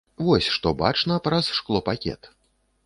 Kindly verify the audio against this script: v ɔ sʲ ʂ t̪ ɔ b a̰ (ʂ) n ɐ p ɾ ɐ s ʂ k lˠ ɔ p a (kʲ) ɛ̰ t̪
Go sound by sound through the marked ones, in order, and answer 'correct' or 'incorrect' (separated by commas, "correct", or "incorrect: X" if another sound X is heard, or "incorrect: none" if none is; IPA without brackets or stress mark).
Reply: incorrect: t͡ʂ, correct